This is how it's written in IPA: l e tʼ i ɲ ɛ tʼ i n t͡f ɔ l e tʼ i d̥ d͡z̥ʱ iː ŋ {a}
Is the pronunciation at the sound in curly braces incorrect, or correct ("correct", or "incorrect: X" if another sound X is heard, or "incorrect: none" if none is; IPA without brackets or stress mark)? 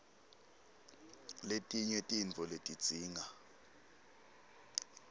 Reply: correct